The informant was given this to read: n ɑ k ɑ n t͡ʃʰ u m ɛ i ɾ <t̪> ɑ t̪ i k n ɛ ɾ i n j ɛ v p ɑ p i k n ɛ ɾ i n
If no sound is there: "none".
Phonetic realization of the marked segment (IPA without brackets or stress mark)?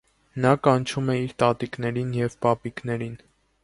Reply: t̪